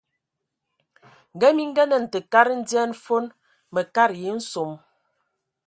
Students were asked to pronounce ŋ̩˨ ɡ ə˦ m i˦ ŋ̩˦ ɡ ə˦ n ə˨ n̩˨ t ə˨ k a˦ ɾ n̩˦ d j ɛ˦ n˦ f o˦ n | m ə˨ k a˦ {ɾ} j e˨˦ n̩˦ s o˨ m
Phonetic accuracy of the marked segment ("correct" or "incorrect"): correct